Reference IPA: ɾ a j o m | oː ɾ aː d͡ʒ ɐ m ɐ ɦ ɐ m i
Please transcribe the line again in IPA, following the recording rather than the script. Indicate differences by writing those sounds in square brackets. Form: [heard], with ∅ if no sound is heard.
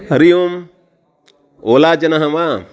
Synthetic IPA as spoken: ɾ [i] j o m | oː [l] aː d͡ʒ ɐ [n] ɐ ɦ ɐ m [a]